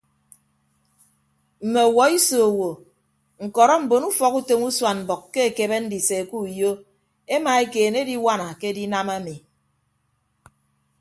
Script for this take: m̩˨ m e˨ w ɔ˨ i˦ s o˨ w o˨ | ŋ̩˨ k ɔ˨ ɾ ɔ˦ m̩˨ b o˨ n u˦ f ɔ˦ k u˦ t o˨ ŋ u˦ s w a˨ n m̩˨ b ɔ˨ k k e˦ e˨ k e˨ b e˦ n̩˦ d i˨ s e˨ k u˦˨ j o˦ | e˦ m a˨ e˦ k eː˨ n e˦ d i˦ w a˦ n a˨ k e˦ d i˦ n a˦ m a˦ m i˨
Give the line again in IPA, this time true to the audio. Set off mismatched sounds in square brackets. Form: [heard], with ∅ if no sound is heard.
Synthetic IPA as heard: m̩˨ m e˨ w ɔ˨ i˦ s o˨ w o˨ | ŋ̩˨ k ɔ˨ ɾ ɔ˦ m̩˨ b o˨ n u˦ f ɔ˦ k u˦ t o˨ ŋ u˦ s w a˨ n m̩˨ b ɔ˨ k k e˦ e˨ k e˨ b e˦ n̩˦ d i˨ s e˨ k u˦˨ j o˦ | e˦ m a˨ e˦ k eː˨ n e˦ d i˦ w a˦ n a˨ k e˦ d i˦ n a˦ m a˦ m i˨